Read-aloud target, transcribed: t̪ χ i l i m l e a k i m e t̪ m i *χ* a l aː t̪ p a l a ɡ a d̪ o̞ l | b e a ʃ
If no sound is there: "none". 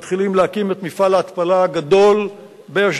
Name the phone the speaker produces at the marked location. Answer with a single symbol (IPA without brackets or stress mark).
f